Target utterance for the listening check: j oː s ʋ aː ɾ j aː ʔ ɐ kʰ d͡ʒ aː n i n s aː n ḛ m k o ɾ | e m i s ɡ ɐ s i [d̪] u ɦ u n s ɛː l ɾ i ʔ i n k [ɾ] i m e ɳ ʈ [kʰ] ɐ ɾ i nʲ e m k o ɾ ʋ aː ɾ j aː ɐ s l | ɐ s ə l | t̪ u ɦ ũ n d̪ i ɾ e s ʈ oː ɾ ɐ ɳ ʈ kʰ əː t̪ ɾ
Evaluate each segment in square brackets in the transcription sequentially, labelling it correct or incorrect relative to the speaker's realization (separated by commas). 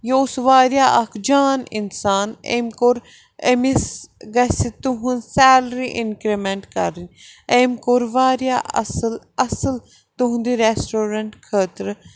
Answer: incorrect, correct, incorrect